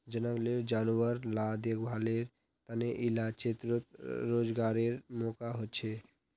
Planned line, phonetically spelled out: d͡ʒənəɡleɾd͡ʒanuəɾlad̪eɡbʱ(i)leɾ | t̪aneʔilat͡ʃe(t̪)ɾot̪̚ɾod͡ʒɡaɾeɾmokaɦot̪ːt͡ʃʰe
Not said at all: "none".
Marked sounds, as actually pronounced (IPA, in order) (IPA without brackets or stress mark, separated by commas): a, t̪